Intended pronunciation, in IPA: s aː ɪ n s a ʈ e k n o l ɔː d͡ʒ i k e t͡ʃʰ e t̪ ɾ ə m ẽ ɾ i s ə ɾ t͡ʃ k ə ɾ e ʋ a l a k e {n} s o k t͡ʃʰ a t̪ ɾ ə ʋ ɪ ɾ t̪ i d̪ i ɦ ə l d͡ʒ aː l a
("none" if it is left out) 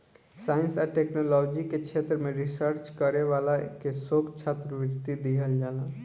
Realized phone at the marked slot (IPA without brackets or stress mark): none